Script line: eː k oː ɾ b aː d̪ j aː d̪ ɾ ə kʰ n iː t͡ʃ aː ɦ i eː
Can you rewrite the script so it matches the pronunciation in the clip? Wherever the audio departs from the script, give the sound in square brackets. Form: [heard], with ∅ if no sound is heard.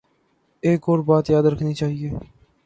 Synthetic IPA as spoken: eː k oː ɾ b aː [t̪] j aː d̪ ɾ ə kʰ n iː t͡ʃ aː ɦ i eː